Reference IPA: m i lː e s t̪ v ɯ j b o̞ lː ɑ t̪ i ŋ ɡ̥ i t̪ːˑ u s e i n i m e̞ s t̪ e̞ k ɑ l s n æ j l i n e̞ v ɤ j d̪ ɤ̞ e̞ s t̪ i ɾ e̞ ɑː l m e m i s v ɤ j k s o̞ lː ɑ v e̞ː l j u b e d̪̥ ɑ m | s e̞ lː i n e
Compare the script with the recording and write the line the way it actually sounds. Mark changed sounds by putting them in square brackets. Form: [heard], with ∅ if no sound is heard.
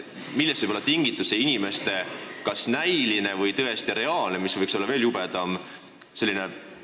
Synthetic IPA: m i lː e s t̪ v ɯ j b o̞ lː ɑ t̪ i ŋ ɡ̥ i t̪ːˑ u s e i n i m e̞ s t̪ e̞ k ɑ [∅] s n æ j l i n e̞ v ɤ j [t̪] ɤ̞ e̞ s t̪ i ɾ e̞ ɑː l [n] e m i s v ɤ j k s o̞ lː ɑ v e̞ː l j u b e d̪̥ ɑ m | s e̞ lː i n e